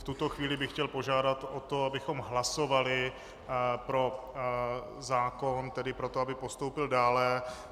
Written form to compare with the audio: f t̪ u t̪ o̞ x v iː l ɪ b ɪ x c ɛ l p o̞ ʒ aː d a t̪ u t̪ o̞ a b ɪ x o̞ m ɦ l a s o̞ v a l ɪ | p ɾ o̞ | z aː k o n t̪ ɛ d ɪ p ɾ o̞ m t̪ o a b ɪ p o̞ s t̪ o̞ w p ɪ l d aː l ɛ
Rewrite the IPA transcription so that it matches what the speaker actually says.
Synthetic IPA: f t̪ u t̪ o̞ x v iː l ɪ b ɪ x c ɛ l p o̞ ʒ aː d a t̪ o t̪ o̞ a b ɪ x o̞ m ɦ l a s o̞ v a l ɪ | p ɾ o̞ | z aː k o n t̪ ɛ d ɪ p ɾ o̞ t̪ o a b ɪ p o̞ s t̪ o̞ w p ɪ l d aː l ɛ